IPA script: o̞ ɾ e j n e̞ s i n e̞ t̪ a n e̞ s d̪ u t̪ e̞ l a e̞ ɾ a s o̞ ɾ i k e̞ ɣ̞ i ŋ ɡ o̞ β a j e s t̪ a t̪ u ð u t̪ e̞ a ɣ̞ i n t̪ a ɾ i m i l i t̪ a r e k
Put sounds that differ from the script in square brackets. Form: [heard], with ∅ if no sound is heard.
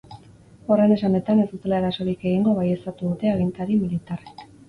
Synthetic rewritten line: o̞ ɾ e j n e̞ s [a] n e̞ t̪ a n e̞ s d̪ u t̪ e̞ l a e̞ ɾ a s o̞ ɾ i k e̞ ɣ̞ i ŋ ɡ o̞ β a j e s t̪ a t̪ u ð u t̪ e̞ a ɣ̞ i n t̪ a ɾ i m i l i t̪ a r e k